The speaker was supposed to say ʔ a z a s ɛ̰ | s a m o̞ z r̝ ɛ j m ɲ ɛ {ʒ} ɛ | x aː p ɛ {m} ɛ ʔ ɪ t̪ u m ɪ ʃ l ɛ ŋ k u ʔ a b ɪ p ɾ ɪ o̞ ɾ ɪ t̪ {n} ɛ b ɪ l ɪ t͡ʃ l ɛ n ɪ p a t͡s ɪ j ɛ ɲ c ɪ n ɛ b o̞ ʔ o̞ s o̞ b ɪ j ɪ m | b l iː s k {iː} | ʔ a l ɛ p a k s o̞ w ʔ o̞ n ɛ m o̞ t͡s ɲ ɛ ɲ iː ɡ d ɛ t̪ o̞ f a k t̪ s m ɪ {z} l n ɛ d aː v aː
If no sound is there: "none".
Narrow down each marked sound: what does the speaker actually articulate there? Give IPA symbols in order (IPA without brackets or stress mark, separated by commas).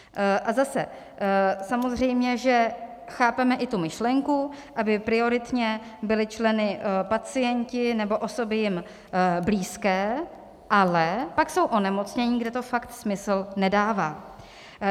ʒ, m, ɲ, ɛː, s